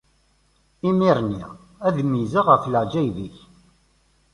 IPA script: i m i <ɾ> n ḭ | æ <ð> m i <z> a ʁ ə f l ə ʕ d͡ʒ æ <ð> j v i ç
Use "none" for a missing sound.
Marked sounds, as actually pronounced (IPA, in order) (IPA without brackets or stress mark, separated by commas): ɾ, ð, z, none